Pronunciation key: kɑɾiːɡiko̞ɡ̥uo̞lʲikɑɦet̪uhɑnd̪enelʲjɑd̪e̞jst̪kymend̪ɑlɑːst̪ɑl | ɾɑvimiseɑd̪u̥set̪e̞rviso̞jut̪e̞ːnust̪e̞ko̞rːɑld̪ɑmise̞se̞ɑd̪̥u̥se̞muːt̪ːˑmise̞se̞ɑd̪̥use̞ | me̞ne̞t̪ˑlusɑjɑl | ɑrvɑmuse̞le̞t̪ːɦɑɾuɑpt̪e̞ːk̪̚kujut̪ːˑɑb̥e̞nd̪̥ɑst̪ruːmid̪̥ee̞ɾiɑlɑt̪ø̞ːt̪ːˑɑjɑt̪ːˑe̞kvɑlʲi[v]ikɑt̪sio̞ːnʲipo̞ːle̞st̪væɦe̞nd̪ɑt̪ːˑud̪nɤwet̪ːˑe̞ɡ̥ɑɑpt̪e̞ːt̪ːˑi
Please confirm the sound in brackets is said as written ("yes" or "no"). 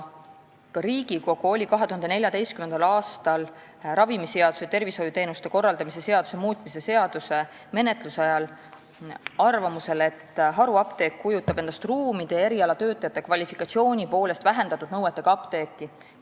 no